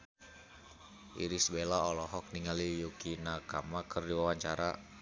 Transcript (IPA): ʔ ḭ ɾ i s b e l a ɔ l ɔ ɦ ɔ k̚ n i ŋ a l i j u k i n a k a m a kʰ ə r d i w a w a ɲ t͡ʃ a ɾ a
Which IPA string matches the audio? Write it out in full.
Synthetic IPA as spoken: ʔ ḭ ɾ i s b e l a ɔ l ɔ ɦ ɔ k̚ n i ŋ a l i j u k i n a k a m a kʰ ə r d i w a w a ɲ t͡ʃ a ɾ a